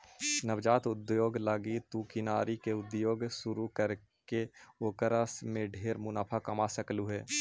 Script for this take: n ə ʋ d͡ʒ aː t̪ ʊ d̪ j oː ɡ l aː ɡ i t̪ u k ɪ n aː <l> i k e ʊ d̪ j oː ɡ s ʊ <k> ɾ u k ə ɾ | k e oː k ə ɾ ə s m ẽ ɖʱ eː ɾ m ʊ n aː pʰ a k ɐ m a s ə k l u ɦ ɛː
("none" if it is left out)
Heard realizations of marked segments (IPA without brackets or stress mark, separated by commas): ɾ, none